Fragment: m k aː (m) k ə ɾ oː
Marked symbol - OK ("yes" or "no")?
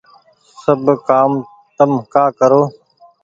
no